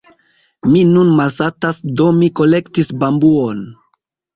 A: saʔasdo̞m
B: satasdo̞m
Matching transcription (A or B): B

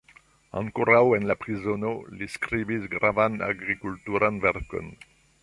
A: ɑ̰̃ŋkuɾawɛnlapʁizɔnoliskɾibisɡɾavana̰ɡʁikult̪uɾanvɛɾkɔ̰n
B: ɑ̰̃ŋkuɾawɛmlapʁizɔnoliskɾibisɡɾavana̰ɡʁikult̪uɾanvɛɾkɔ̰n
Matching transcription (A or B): A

